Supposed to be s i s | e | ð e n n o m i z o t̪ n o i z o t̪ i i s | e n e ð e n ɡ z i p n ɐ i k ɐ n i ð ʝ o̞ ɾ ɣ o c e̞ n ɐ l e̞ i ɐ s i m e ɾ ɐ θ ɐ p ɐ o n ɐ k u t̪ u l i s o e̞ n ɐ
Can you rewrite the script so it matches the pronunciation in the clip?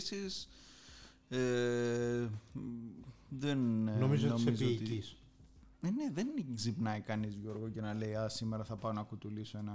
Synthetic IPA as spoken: s i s | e | ð e n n o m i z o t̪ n o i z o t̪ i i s | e n e ð e n ɡ z i p n ɐ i k ɐ n i z ʝ o̞ ɾ ɣ o c e̞ n ɐ l e̞ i ɐ s i m e ɾ ɐ θ ɐ p ɐ o n ɐ k u t̪ u l i s o e̞ n ɐ